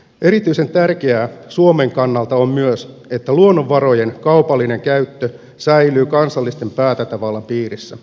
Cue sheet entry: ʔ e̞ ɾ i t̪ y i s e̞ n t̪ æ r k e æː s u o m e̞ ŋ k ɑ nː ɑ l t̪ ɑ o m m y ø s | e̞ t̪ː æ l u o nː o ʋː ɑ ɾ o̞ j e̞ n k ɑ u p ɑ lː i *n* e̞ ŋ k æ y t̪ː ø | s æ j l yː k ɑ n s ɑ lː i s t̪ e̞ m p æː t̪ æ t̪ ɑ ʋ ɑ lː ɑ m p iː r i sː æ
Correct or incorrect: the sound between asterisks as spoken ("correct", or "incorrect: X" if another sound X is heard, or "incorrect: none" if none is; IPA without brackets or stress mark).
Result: correct